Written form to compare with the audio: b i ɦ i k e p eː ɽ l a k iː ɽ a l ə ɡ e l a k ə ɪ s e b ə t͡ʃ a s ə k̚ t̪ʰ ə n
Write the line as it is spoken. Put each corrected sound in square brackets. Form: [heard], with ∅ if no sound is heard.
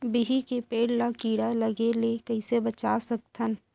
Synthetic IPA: b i ɦ i k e p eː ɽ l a k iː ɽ a l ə ɡ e l [e] k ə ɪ s e b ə t͡ʃ a s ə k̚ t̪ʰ ə n